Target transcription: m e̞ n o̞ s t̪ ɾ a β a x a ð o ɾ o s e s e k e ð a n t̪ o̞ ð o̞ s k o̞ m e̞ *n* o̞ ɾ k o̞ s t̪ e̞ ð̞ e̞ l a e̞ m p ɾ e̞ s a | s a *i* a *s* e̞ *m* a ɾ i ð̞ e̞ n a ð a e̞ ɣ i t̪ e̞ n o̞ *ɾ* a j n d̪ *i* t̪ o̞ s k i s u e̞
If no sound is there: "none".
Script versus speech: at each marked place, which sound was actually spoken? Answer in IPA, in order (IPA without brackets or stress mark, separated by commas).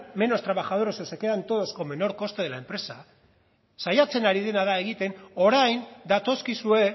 n, j, t͡s, n, ɾ, a